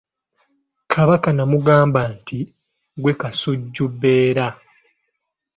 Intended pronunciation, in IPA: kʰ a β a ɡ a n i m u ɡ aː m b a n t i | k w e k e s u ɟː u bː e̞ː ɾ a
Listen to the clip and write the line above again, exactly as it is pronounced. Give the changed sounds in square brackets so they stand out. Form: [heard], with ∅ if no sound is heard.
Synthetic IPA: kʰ a β a [k] a n [a] m u ɡ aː m b a n t i | [ɡ] w e k [a] s u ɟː u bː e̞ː ɾ a

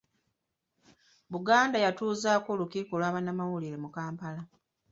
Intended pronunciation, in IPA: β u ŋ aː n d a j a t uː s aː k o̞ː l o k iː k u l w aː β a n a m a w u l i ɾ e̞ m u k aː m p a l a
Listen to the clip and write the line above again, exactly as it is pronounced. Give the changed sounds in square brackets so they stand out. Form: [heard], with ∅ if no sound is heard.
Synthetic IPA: β u [ɡ] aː n d a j a t uː [z] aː k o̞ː l [u] k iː k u l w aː β a n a m a w u l i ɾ e̞ m u k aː m p a l a

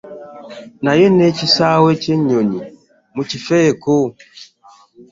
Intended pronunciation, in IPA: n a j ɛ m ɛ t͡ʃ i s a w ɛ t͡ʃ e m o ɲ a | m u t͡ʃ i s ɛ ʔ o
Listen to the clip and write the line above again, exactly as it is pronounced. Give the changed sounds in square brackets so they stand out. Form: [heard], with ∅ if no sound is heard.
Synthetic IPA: n a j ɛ [n] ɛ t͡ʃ i s a w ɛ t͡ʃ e [ɲ] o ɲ [i] | m u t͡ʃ i [f] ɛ [k] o

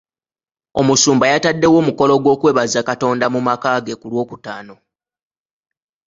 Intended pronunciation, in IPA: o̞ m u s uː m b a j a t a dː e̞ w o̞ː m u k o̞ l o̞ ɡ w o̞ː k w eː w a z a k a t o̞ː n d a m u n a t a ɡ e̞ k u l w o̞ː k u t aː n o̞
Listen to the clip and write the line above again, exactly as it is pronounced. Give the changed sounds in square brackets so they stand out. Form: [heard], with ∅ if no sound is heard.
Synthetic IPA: o̞ m u s uː m b a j a t a dː e̞ w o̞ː m u k o̞ l o̞ ɡ w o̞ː k w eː [β] a z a k a t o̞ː n d a m u [m] a [k] a ɡ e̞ k u l w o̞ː k u t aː n o̞

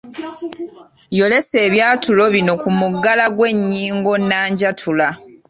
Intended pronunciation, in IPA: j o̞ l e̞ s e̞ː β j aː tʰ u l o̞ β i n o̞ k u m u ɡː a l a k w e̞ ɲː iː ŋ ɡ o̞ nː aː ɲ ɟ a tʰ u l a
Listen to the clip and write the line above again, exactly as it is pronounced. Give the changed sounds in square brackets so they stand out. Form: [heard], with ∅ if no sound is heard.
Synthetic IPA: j o̞ l e̞ s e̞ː β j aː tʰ u l o̞ β i n o̞ k u m u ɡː a l a [ɡ] w e̞ ɲː iː ŋ ɡ o̞ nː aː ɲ ɟ a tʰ u l a

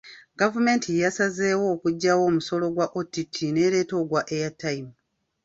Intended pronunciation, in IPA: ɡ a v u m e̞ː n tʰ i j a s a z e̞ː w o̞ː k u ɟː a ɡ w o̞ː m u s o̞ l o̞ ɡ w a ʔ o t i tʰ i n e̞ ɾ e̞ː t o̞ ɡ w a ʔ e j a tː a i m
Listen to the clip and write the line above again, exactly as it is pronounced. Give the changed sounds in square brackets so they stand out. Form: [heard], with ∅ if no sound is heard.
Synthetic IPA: ɡ a v u m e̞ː n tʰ i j a s a z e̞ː w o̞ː k u ɟː a [∅] w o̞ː m u s o̞ l o̞ ɡ w a ʔ o t i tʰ i n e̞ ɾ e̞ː t o̞ ɡ w a ʔ e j a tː a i m

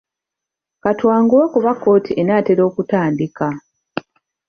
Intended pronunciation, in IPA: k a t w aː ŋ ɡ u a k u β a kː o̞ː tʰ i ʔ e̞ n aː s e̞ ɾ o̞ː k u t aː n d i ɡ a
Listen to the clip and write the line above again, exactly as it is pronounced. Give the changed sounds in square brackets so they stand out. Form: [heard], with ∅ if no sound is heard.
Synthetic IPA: k a t w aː ŋ ɡ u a k u β a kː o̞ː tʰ i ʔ e̞ n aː [t] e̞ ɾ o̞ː k u t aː n d i [k] a

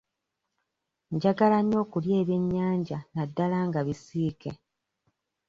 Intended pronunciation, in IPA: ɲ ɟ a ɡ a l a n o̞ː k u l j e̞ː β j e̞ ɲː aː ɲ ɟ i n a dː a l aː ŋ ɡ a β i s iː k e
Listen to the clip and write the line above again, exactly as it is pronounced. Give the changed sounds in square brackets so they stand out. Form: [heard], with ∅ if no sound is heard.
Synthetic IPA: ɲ ɟ a ɡ a l a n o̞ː k u l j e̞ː β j e̞ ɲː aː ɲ ɟ [a] n a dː a l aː ŋ ɡ a β i s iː k e

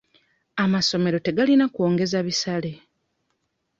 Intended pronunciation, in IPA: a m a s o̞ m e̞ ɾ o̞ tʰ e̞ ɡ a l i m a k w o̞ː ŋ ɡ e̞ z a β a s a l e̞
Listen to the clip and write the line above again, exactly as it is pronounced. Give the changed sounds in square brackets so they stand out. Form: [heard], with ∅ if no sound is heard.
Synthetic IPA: a m a s o̞ m e̞ ɾ o̞ [t] e̞ ɡ a l i [n] a k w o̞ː ŋ ɡ e̞ z a β [i] s a l e̞

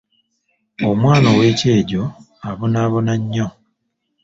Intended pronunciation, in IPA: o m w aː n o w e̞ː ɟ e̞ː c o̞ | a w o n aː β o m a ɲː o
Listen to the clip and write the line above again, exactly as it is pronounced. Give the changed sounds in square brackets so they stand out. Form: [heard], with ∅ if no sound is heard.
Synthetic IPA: o m w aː n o w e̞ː [c] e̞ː [ɟ] o̞ | a [β] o n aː β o [n] a ɲː o

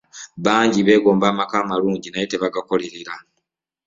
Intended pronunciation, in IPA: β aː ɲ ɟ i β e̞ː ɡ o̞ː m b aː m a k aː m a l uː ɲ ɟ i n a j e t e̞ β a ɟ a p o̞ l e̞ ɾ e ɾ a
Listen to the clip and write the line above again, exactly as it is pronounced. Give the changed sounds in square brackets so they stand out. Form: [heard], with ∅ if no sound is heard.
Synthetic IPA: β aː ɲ ɟ i β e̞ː ɡ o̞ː m b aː m a k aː m a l uː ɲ ɟ i n a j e t e̞ β a [ɡ] a [k] o̞ l e̞ ɾ e ɾ a

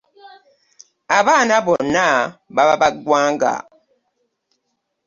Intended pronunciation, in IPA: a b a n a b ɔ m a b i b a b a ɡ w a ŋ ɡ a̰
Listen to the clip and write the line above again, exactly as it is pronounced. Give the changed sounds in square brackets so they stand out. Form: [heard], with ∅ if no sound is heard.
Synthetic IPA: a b a n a b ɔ [n] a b [a] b a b a ɡ w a ŋ ɡ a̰

